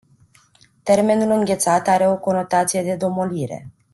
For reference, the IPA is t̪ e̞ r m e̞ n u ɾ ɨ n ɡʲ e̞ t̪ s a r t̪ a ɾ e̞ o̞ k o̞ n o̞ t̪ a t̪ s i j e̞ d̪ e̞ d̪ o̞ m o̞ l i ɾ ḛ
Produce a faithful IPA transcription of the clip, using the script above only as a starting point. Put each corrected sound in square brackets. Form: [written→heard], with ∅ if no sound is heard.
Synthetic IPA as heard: t̪ e̞ r m e̞ n u [ɾ→l] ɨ [n→ŋ] ɡʲ e̞ t̪ s a [r→∅] t̪ a ɾ e̞ o̞ k o̞ n o̞ t̪ a t̪ s i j e̞ d̪ e̞ d̪ o̞ m o̞ l i ɾ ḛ